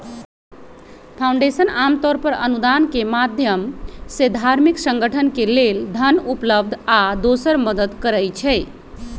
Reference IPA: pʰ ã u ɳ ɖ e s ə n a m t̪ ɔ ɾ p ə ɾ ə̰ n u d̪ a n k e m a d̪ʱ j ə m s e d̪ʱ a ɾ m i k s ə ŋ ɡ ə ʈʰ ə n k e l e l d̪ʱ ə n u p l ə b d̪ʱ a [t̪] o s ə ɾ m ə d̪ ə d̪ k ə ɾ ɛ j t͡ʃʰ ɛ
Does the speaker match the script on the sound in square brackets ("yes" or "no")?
no